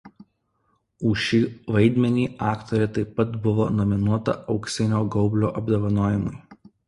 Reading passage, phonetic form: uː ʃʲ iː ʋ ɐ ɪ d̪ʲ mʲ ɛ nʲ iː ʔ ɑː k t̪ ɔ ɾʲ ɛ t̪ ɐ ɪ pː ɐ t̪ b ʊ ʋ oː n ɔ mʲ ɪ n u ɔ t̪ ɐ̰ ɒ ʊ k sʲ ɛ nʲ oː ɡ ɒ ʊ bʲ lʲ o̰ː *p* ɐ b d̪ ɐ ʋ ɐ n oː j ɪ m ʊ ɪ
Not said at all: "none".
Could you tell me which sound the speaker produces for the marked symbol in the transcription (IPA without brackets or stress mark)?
ʔ